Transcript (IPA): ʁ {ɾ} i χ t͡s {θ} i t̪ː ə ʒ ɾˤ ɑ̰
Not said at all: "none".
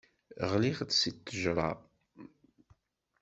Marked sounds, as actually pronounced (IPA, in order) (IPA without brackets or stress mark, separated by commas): l, s